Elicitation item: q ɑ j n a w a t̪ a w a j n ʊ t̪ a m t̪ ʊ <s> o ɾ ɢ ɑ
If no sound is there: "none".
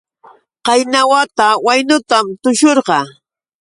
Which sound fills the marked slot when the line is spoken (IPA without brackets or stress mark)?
ʃ